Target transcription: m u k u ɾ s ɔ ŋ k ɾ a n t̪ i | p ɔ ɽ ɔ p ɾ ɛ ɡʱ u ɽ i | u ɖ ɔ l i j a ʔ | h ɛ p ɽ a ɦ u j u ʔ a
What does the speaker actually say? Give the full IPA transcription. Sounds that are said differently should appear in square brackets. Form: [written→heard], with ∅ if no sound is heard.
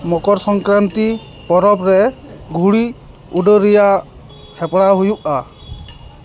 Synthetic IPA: m [u→ɔ] k [u→ɔ] ɾ s ɔ ŋ k ɾ a n t̪ i | p ɔ [ɽ→ɾ] ɔ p ɾ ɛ ɡʱ u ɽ i | u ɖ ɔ [l→ɾ] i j a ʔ | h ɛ p ɽ a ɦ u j u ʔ a